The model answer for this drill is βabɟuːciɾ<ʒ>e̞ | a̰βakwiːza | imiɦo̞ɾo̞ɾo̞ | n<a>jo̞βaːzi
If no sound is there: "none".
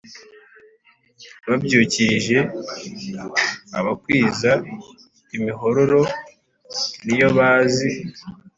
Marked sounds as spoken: ʒ, i

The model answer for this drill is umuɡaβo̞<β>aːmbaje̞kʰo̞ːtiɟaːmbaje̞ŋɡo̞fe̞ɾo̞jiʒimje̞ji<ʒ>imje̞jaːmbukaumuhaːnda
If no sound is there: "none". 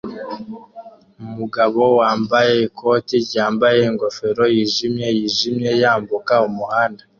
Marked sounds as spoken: w, ʒ

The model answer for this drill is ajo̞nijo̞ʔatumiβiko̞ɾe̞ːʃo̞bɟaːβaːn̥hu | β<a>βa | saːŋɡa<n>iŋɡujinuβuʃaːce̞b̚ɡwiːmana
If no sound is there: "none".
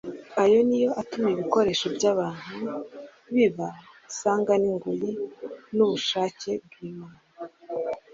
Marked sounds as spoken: i, n

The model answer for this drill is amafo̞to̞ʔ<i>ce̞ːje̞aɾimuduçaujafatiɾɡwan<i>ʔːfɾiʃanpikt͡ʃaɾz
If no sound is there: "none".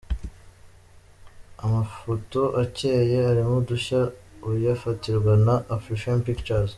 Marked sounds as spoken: a, a

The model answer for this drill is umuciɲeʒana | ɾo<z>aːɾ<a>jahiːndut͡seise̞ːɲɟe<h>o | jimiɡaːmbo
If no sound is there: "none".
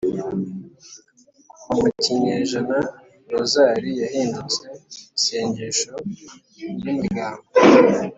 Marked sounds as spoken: z, i, ʃ

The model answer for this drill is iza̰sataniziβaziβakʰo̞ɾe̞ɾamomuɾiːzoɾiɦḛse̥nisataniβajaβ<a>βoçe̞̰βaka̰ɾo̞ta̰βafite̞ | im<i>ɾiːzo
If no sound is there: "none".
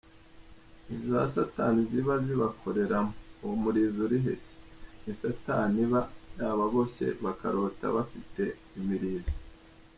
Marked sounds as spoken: a, i

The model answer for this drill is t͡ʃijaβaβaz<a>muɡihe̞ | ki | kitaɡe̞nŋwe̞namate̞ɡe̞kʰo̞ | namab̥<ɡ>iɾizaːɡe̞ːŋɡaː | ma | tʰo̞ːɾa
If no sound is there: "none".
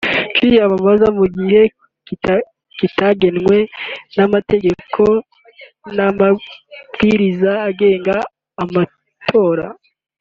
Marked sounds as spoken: a, ɡ

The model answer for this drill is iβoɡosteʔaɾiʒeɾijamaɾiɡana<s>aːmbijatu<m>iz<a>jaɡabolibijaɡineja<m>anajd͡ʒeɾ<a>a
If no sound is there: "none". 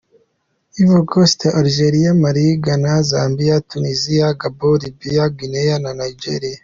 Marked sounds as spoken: z, n, i, n, i

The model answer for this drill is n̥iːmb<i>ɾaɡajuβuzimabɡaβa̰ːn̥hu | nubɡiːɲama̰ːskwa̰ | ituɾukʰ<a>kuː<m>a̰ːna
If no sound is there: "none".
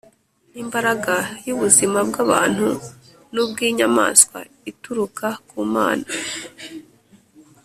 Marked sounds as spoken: a, a, m

